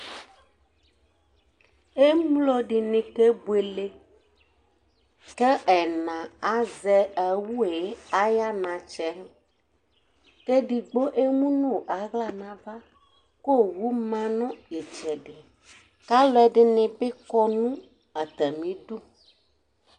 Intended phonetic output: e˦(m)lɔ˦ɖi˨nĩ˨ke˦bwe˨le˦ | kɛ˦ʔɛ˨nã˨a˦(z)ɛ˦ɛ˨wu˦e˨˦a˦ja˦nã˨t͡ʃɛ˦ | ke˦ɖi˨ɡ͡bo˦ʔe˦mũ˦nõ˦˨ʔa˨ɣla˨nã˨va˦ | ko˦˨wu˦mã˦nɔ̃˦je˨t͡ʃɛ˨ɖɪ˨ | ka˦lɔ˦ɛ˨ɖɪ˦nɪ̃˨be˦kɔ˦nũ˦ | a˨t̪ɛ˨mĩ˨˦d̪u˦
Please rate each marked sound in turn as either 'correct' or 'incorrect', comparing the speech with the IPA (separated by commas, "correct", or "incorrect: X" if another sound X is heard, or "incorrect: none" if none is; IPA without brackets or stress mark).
correct, correct